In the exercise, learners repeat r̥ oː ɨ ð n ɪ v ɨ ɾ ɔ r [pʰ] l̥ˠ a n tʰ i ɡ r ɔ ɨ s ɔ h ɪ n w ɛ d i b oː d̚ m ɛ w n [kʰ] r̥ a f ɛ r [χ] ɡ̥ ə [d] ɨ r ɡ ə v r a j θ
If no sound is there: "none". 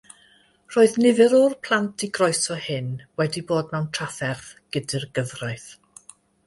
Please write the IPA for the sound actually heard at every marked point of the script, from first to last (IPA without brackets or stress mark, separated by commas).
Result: pʰ, tʰ, θ, d